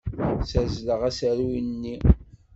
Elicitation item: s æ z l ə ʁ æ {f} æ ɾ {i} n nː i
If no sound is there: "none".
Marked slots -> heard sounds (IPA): s, i

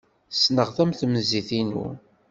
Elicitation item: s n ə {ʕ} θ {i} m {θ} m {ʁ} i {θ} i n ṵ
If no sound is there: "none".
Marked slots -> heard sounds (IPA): ʁ, æ, θ, z, θ

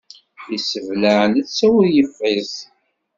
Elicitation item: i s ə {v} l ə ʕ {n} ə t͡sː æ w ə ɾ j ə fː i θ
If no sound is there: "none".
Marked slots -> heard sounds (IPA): v, n

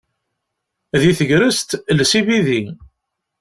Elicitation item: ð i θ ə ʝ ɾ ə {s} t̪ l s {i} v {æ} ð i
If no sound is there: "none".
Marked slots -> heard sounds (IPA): s, i, i

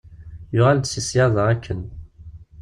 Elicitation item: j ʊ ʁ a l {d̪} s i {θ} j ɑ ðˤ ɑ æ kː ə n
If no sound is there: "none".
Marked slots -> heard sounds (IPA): d̪, s

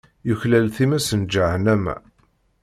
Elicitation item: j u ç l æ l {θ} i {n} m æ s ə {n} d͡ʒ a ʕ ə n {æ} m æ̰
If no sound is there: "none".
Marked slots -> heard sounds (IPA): θ, none, n, æ

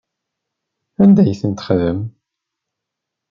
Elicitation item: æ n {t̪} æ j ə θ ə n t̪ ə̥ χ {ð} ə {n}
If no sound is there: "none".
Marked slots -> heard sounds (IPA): d̪, ð, m

